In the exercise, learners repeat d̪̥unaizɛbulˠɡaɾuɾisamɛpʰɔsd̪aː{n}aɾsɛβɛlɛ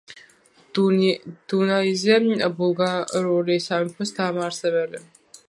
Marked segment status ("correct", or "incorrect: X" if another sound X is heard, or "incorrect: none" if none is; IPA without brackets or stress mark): incorrect: m